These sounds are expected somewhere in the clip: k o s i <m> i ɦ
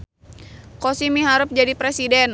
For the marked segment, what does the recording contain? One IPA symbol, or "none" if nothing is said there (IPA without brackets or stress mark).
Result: m